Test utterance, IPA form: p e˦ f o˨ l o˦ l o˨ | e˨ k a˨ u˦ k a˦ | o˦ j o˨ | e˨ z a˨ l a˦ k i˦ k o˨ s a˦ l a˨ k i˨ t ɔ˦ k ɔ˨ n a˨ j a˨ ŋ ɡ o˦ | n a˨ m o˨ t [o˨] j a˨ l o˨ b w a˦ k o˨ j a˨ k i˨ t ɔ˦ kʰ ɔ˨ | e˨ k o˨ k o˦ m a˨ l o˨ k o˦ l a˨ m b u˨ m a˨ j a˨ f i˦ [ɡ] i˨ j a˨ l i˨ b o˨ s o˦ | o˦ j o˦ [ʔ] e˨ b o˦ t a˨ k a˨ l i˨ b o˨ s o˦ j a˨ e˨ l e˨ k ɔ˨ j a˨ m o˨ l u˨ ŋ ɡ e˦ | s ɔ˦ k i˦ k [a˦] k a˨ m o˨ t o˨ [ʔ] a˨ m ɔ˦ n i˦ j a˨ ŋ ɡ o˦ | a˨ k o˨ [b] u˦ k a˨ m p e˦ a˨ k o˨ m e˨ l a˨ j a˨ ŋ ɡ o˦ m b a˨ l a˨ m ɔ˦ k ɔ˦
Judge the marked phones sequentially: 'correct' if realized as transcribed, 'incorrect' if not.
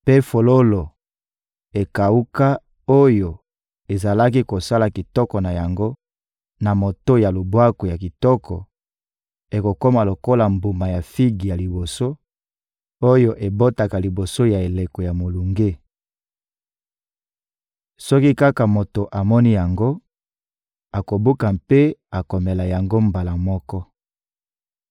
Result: incorrect, correct, correct, correct, correct, correct

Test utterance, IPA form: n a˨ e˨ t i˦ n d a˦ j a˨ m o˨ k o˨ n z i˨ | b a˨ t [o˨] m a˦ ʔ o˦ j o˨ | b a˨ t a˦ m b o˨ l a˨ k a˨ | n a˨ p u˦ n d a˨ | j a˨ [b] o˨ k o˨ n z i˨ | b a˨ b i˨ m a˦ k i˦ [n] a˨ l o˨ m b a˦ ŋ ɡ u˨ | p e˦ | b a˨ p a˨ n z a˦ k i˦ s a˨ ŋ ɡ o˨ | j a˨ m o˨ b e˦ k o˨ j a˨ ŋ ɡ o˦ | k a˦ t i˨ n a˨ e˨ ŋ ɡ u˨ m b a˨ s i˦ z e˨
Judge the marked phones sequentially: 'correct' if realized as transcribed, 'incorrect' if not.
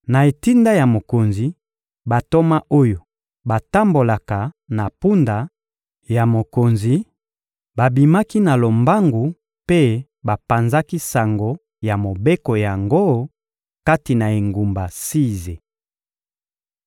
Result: incorrect, incorrect, correct

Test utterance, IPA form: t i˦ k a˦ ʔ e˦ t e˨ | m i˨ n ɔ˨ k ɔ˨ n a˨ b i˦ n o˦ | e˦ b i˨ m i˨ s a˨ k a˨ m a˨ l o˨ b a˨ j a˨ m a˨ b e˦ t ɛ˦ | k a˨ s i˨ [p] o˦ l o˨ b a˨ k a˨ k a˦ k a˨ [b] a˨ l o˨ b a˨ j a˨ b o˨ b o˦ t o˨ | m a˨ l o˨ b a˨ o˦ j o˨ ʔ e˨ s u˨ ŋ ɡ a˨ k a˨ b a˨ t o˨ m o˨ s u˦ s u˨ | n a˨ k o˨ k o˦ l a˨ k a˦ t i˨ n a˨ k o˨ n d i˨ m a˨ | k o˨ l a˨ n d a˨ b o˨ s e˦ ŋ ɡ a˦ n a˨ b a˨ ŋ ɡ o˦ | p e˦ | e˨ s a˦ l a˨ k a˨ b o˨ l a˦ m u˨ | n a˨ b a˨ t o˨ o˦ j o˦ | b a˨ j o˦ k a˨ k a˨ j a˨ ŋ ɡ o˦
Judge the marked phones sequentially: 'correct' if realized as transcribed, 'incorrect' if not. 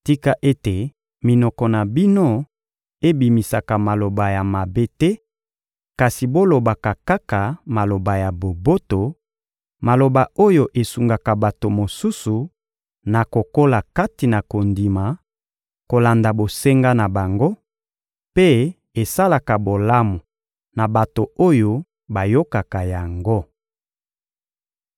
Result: incorrect, incorrect

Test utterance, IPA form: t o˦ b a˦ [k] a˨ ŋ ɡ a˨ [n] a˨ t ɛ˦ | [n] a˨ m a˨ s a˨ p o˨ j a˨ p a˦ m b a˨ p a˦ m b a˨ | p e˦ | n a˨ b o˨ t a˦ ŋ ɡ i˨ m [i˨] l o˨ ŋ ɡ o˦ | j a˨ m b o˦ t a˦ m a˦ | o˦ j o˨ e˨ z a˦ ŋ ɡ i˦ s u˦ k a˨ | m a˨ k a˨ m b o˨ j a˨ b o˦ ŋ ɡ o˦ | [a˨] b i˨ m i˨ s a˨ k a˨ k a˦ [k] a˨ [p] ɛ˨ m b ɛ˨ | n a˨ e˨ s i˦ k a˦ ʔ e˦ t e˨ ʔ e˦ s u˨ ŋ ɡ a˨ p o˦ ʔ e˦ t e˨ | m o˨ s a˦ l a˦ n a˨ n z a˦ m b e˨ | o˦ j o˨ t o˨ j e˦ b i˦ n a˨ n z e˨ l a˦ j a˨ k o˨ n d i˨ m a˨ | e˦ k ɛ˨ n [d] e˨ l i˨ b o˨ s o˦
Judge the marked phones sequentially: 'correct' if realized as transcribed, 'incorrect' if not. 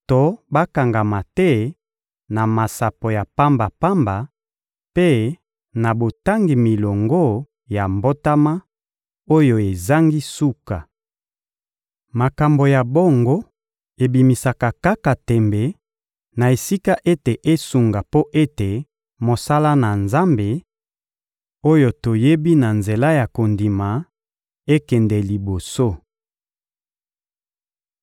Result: correct, incorrect, correct, correct, incorrect, correct, incorrect, correct

